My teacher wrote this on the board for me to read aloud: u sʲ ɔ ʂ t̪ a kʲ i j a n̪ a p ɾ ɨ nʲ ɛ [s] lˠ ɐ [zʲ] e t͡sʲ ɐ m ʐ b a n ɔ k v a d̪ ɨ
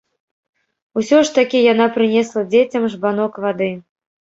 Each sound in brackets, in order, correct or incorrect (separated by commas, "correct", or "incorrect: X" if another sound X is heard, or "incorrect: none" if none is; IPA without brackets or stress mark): correct, incorrect: d͡zʲ